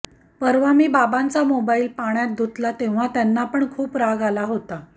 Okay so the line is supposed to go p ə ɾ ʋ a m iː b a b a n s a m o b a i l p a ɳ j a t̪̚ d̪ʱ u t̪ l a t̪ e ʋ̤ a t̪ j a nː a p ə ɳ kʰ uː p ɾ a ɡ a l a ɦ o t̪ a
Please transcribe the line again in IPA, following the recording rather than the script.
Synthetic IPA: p ə ɾ ʋ a m iː b a b a n t͡s a m o b a i l p a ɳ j a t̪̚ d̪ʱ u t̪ l a t̪ e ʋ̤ a t̪ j a nː a p ə ɳ kʰ uː p ɾ a ɡ a l a ɦ o t̪ a